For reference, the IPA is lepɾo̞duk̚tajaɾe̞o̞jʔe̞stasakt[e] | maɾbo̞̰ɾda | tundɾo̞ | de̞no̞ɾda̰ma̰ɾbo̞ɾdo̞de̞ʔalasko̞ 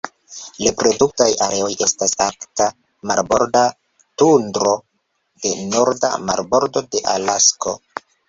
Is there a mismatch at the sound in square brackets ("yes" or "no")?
yes